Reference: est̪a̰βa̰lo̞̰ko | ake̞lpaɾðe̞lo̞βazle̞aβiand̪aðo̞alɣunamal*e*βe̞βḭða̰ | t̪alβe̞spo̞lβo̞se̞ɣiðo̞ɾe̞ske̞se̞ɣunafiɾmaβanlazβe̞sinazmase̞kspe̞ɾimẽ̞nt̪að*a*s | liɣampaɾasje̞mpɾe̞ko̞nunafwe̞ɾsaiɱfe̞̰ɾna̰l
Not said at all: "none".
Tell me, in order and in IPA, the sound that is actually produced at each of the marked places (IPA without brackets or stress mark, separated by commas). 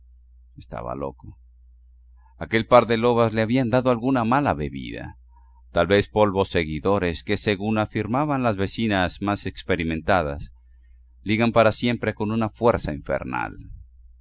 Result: a, a